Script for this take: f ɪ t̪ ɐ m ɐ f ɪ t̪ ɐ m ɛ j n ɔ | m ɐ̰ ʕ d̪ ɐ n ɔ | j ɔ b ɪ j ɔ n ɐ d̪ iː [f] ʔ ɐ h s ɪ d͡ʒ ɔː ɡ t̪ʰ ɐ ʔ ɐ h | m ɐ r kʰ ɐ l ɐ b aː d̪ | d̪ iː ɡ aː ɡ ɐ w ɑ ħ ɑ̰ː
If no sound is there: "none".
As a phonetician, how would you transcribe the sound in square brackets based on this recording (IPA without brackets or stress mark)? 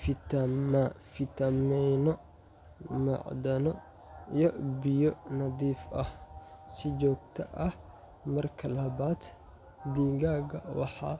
f